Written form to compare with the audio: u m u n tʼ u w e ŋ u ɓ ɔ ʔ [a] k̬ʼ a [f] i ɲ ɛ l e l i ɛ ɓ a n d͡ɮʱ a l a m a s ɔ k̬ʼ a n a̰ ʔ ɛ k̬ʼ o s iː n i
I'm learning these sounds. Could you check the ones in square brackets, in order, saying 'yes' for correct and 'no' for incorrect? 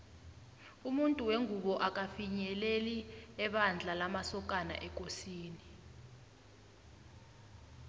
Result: yes, yes

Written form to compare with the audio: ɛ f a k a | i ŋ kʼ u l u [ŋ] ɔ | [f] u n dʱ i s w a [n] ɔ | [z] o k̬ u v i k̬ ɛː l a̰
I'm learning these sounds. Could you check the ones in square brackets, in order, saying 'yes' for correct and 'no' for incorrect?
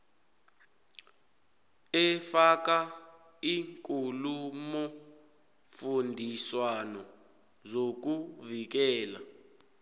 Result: no, yes, yes, yes

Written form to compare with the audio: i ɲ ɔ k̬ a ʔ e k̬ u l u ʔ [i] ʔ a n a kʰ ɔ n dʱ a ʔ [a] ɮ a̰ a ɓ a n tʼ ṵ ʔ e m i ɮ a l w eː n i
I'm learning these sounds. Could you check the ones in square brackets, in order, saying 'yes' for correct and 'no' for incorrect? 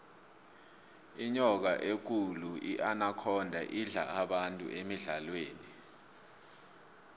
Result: yes, no

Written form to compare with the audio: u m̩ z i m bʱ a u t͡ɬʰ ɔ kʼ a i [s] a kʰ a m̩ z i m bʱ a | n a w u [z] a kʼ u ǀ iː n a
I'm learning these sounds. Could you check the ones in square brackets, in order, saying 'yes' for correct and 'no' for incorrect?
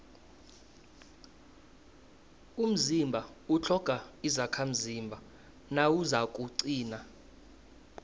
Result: no, yes

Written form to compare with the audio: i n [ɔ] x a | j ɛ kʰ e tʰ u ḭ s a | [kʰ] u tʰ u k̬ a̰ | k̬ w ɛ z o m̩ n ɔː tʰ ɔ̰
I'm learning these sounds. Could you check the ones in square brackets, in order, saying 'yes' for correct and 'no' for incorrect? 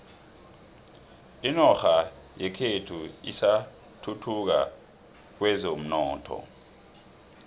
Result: yes, no

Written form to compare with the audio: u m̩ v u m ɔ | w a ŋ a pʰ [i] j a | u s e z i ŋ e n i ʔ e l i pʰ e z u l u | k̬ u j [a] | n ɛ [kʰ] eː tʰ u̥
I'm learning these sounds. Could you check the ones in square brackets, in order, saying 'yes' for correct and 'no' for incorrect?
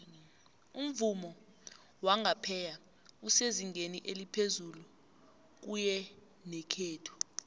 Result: no, no, yes

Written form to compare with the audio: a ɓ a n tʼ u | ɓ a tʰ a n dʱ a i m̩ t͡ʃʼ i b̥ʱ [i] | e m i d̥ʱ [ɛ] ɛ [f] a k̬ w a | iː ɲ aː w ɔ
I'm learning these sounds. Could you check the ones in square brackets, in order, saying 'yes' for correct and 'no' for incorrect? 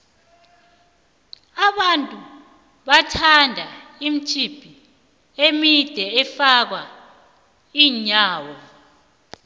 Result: yes, yes, yes

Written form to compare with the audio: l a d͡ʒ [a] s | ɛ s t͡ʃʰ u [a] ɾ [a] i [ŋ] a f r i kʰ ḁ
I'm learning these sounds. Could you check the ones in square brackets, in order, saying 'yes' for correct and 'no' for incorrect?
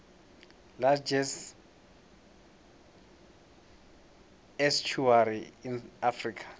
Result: no, yes, no, no

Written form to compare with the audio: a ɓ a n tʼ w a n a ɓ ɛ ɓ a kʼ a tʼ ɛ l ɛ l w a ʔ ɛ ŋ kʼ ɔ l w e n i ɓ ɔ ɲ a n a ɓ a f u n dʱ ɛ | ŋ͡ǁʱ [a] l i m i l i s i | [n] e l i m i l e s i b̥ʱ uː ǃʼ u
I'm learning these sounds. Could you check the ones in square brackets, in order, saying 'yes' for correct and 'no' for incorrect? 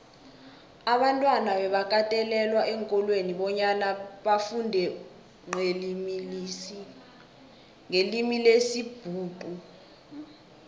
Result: no, no

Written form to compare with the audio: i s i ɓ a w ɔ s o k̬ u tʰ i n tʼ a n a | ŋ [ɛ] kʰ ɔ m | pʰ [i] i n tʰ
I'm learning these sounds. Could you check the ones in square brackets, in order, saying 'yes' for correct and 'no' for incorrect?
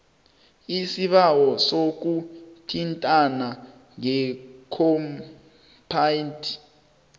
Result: yes, no

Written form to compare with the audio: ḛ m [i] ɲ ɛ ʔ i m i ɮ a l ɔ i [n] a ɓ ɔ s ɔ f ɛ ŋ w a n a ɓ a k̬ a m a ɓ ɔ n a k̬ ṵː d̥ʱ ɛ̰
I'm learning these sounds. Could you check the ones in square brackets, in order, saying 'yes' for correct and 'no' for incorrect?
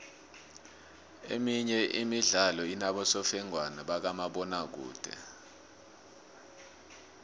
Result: yes, yes

